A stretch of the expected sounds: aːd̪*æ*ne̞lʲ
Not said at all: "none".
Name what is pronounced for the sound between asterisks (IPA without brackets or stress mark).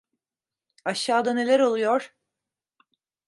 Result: a